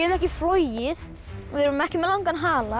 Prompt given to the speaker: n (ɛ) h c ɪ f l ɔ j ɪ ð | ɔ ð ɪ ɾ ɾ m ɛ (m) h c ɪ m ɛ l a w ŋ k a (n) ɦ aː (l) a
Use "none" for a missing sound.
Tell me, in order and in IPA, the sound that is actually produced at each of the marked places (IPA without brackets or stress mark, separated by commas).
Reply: ɛ, none, n, l